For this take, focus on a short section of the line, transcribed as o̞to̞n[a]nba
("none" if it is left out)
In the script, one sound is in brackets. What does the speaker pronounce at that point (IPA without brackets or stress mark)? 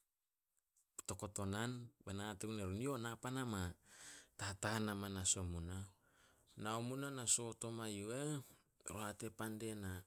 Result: a